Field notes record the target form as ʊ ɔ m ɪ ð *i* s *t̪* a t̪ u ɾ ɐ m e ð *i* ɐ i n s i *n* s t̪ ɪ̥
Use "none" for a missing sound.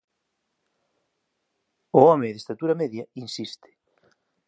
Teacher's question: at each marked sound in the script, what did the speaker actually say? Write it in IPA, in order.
e, t̪, j, none

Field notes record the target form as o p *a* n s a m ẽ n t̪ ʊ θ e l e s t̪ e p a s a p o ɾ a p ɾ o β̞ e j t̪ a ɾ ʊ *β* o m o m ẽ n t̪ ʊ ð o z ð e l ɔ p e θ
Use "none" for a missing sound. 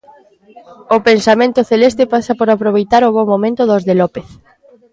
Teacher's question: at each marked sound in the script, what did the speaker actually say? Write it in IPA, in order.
e, β

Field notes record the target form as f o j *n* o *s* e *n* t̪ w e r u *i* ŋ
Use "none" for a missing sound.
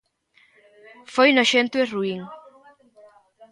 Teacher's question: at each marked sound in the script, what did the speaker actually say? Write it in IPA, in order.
n, ʃ, n, i

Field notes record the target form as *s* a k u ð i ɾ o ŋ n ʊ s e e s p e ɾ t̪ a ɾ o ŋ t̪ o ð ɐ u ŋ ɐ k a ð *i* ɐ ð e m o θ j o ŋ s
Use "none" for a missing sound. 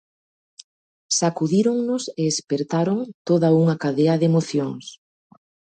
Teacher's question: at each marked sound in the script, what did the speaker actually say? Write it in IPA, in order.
s, e

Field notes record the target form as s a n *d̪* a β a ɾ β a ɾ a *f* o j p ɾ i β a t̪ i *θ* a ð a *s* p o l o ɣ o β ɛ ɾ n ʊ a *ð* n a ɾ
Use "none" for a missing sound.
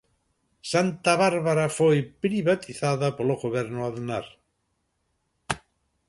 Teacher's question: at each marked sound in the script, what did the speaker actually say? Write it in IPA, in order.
t̪, f, θ, none, ð

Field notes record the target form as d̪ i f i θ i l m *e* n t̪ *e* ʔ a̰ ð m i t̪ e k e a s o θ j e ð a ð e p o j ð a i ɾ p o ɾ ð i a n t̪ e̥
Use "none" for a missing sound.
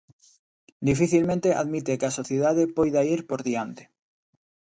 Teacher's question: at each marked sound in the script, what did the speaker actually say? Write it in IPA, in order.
ẽ, e

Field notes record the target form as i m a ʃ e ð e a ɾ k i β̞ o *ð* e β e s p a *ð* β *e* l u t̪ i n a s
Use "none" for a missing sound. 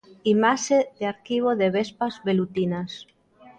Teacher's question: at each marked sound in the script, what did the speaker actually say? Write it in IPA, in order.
ð, z, e

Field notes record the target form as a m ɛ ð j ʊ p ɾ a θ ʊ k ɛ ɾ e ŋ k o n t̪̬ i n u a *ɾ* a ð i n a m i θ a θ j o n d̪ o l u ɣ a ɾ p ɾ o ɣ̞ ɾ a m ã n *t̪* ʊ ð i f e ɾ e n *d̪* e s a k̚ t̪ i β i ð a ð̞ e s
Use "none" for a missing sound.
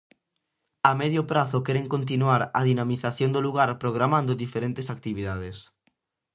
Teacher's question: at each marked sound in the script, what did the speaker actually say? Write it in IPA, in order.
ɾ, d̪, t̪

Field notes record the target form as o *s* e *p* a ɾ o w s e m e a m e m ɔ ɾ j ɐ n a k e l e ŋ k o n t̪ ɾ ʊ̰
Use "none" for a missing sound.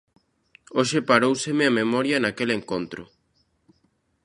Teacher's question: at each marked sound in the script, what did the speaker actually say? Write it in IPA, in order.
ʃ, p

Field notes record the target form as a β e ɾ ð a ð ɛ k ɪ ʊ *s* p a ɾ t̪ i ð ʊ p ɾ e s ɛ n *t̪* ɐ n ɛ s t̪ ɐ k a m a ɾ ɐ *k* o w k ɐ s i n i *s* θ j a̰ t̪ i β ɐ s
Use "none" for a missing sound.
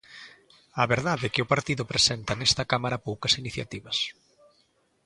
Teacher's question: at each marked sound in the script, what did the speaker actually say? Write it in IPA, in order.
none, t̪, p, none

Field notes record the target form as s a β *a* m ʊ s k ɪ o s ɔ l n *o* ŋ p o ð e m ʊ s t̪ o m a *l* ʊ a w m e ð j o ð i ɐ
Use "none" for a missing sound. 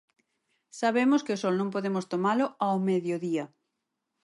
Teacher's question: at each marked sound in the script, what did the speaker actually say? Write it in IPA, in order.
e, õ, l

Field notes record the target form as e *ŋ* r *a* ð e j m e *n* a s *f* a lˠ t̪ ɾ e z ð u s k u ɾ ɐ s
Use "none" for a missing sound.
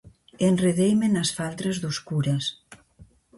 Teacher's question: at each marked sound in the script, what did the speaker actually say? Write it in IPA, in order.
n, e, n, f

